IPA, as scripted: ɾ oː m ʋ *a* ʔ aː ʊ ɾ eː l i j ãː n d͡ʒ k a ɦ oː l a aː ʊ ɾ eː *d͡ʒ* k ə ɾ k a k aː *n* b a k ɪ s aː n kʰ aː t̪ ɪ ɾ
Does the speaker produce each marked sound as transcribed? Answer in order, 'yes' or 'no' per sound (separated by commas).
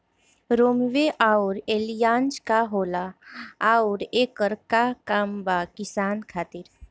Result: no, no, no